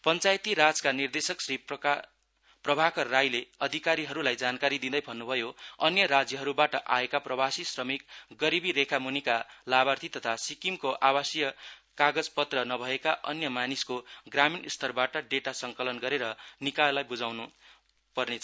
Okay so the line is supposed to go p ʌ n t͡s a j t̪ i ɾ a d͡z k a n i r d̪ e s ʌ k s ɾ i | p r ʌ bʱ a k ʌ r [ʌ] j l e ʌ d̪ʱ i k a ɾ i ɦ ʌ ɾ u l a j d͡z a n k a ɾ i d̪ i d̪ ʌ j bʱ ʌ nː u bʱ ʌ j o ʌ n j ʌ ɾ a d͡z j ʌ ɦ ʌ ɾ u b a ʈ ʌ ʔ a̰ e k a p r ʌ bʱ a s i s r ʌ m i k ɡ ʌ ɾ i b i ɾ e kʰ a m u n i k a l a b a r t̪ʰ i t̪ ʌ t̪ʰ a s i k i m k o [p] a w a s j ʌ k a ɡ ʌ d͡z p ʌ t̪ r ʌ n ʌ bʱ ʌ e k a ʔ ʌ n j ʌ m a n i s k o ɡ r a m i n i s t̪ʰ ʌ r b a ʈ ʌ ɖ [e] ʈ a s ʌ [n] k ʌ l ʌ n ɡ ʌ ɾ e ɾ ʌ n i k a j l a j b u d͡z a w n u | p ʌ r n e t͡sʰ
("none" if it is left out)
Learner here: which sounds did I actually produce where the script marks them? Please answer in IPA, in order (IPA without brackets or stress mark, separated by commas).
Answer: a, ʔ, e, ŋ